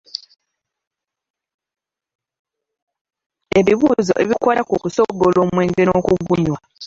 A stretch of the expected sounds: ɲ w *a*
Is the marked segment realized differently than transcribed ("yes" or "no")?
no